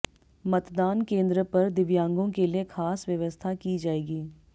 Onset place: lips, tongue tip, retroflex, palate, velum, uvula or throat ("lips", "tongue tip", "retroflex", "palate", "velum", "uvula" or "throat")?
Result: lips